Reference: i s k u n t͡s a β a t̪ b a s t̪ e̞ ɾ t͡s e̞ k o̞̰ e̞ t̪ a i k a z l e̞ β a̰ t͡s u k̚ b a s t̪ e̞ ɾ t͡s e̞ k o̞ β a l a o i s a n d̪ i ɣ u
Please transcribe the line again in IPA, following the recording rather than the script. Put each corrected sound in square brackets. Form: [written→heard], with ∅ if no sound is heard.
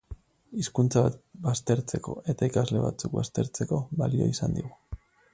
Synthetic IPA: i s k u n t͡s a β a t̪ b a s t̪ e̞ ɾ t͡s e̞ k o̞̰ e̞ t̪ a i k a z l e̞ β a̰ t͡s u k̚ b a s t̪ e̞ ɾ t͡s e̞ k o̞ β a l [a→i] o i s a n d̪ i ɣ u